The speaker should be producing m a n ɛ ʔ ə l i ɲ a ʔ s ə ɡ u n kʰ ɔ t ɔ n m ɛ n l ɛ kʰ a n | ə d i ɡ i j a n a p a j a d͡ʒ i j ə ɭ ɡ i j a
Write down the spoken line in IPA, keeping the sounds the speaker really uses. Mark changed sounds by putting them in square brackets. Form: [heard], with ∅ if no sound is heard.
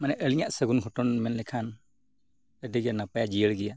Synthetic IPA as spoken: m a n ɛ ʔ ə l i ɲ a ʔ s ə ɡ u n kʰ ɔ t ɔ n m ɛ n l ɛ kʰ a n | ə d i ɡ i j a n a p a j a d͡ʒ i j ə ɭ ɡ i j a